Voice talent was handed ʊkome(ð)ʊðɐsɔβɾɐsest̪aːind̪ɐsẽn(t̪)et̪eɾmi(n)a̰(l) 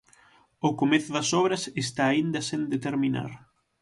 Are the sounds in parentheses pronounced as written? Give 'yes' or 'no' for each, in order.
no, no, yes, no

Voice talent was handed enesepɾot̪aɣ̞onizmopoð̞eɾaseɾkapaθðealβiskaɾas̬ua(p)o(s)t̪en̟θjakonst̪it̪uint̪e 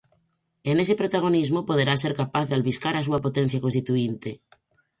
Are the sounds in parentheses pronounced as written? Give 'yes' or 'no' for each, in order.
yes, no

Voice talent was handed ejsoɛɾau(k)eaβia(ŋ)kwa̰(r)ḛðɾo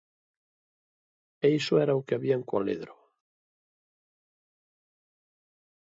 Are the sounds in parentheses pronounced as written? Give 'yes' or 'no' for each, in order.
yes, yes, no

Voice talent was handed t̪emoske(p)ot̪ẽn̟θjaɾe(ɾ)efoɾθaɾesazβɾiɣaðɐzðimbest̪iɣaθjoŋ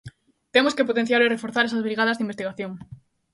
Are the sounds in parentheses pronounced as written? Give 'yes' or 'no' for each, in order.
yes, no

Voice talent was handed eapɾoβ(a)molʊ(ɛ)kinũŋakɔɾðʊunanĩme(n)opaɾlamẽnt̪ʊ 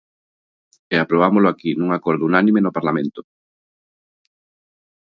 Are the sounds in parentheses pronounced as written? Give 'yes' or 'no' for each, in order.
yes, no, yes

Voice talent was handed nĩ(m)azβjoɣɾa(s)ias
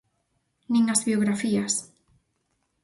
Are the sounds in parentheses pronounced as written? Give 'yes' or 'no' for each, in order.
no, no

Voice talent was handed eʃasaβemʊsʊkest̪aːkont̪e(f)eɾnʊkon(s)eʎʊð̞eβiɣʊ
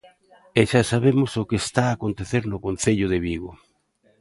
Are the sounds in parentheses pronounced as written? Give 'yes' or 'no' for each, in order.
no, no

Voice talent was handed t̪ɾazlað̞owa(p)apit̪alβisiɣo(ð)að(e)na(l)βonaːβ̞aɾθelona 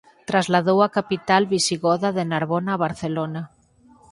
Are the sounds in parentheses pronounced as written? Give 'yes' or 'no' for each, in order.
no, yes, yes, no

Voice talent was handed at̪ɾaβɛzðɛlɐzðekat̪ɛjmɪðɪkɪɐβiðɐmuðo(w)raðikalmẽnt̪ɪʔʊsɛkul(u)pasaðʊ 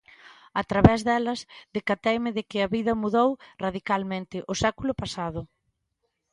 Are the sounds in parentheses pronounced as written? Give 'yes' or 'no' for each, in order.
yes, no

